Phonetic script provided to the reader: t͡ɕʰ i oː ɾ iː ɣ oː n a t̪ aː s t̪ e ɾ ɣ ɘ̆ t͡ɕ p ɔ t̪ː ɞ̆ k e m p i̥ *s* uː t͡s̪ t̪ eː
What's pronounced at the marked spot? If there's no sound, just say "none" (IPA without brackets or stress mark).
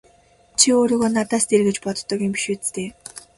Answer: ʃ